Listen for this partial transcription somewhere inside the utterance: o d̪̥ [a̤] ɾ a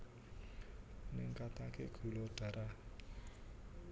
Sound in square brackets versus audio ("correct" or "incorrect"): correct